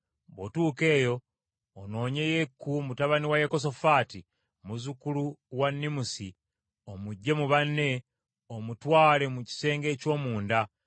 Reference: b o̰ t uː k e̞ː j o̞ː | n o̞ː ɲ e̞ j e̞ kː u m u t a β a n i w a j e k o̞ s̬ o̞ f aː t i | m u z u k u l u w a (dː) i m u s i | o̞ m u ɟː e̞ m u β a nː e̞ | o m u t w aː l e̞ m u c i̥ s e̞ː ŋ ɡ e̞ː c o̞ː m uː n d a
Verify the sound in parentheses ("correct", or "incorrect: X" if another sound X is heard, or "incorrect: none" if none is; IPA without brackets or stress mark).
incorrect: nː